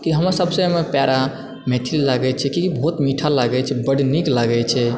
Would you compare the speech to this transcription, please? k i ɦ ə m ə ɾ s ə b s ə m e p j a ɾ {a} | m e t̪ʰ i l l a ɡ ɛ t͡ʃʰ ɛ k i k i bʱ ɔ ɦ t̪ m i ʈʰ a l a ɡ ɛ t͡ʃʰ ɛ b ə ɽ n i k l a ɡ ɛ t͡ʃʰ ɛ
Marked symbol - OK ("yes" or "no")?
yes